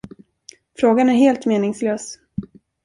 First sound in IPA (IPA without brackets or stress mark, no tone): f